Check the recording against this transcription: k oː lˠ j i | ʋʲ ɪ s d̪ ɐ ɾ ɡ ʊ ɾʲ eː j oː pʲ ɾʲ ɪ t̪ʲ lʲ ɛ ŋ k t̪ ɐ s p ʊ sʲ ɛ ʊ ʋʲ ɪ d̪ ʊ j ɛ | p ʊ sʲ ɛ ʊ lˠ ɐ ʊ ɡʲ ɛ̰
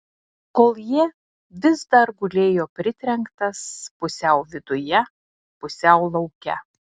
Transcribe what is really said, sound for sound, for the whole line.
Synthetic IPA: k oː lˠ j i | ʋʲ ɪ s d̪ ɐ ɾ ɡ ʊ lʲ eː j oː pʲ ɾʲ ɪ t̪ʲ ɾʲ ɛ ŋ k t̪ ɐ s p ʊ sʲ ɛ ʊ ʋʲ ɪ d̪ ʊ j ɛ | p ʊ sʲ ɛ ʊ lˠ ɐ ʊ kʲ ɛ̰